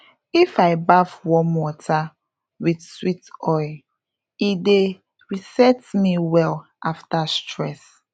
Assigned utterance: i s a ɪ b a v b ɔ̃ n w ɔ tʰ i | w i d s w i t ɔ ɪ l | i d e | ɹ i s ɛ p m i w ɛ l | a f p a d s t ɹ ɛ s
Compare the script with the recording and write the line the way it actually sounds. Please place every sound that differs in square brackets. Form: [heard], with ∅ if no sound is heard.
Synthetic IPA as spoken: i [f] a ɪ b a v [w] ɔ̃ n w ɔ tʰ [a] | w i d s w i t ɔ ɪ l | i d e | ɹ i s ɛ [t] m i w ɛ l | a f [t] a [∅] s t ɹ ɛ s